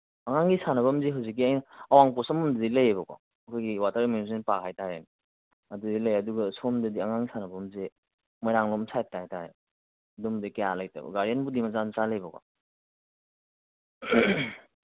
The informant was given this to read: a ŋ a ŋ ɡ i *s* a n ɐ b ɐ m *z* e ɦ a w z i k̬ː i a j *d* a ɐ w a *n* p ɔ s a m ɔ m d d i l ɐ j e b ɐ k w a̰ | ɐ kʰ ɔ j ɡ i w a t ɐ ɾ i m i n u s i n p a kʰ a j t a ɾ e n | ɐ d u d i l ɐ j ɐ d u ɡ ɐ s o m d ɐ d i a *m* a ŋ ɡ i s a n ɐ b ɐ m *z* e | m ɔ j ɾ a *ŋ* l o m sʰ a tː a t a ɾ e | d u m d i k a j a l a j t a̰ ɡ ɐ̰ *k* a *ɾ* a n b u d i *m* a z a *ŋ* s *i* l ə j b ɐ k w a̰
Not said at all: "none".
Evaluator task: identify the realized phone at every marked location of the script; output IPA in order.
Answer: s, z, n, ŋ, ŋ, z, ŋ, ɡ, ɾ, m, n, a

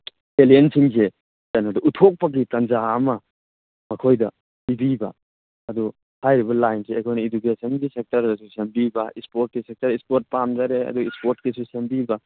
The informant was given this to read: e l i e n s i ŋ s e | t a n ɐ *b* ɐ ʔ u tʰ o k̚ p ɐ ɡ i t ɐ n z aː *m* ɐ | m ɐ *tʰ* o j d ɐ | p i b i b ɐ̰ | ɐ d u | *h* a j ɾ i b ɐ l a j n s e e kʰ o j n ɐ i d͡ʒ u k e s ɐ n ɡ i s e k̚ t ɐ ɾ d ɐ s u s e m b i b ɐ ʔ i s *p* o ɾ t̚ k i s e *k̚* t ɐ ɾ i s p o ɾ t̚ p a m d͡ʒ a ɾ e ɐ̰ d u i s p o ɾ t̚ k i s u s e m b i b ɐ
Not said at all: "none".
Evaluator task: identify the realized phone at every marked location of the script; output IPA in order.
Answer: d, m, kʰ, h, p, k̚

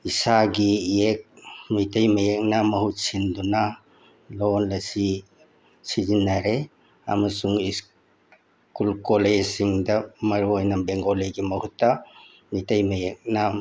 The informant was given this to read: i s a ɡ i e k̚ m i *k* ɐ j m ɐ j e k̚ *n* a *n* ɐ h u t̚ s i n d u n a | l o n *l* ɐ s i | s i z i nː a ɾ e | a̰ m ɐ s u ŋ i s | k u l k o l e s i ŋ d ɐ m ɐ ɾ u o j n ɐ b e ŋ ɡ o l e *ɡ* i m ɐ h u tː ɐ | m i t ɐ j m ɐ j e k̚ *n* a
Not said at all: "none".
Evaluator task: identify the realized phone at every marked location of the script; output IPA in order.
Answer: t, n, m, l, ɡ, n

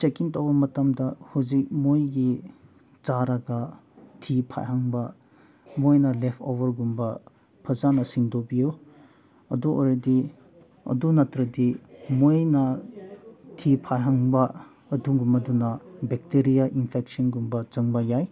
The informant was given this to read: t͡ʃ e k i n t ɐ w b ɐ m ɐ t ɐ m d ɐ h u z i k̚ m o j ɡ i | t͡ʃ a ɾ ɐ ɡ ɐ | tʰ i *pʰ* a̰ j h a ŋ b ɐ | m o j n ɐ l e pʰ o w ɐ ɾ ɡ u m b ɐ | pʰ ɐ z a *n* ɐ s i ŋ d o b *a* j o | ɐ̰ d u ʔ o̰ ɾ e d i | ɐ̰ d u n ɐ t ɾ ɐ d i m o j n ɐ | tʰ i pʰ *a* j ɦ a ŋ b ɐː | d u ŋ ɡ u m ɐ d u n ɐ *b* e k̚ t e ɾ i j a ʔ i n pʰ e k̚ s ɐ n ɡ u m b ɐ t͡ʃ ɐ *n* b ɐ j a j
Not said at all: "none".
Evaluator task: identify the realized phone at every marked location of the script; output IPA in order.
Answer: pʰ, n, i, a, b, ŋ

